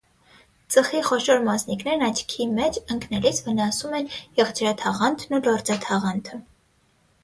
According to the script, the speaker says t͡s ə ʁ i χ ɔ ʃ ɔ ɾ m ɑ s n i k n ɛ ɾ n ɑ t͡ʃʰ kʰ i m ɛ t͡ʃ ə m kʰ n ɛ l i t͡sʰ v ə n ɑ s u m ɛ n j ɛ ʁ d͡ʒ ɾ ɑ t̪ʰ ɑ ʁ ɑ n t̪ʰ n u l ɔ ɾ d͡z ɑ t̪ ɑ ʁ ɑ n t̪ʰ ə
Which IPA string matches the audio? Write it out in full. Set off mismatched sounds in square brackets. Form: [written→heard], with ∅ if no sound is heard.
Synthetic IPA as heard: t͡s ə [ʁ→χ] i χ ɔ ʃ ɔ ɾ m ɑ s n i k n ɛ ɾ n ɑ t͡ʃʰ kʰ i m ɛ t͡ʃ ə [m→ŋ] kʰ n ɛ l i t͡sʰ v ə n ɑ s u m ɛ n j ɛ ʁ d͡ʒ ɾ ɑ t̪ʰ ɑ ʁ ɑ n t̪ʰ n u l ɔ ɾ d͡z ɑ [t̪→t̪ʰ] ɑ ʁ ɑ n t̪ʰ ə

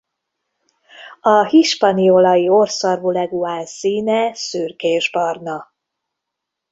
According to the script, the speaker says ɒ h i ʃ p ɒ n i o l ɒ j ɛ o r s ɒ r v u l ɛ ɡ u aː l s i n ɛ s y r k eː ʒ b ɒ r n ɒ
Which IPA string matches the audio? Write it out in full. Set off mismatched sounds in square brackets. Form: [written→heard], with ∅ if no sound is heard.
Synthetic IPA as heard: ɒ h i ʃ p ɒ n i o l ɒ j [ɛ→i] o r s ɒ r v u l ɛ ɡ u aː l s [i→iː] n ɛ s y r k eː ʒ b ɒ r n ɒ

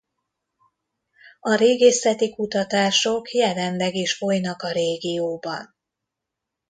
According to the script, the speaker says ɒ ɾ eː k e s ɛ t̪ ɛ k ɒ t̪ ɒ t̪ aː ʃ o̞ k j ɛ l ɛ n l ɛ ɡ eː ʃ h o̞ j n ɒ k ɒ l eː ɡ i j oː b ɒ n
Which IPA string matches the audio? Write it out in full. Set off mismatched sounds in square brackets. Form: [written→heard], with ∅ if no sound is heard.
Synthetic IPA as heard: ɒ ɾ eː [k→ɡ] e s ɛ t̪ [ɛ→i] k [ɒ→u] t̪ ɒ t̪ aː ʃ o̞ k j ɛ l ɛ n l ɛ ɡ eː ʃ [h→f] o̞ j n ɒ k ɒ [l→ɾ] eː ɡ i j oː b ɒ n

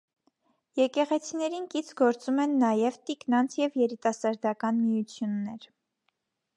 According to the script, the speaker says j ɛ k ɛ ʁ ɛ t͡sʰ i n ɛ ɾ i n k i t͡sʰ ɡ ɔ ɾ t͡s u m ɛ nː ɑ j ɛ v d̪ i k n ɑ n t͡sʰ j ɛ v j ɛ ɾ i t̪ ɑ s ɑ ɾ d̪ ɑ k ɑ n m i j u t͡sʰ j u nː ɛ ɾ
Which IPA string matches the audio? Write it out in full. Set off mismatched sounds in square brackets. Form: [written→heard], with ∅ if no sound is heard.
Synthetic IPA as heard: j ɛ k ɛ ʁ ɛ t͡sʰ i n ɛ ɾ i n k i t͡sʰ ɡ ɔ ɾ t͡s u m ɛ nː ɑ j ɛ v [d̪→t̪] i k n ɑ n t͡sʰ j ɛ v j ɛ ɾ i t̪ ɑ s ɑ ɾ d̪ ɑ k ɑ n m i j u t͡sʰ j u nː ɛ ɾ

